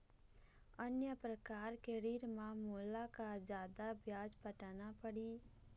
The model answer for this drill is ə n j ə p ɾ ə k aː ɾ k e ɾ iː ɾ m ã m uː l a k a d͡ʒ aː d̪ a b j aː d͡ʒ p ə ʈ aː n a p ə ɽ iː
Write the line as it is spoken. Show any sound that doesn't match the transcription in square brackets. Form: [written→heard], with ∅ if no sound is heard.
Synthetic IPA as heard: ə n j ə p ɾ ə k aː ɾ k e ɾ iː ɾ m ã m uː l a k a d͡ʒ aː d̪ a b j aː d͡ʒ p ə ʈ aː n a p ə ɽ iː